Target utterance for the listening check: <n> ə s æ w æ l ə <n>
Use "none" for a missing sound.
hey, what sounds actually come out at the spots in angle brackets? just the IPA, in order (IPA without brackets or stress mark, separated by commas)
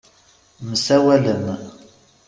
m, m